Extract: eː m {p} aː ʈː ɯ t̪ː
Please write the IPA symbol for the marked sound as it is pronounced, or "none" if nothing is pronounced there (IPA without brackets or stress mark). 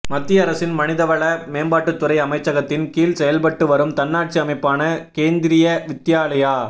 b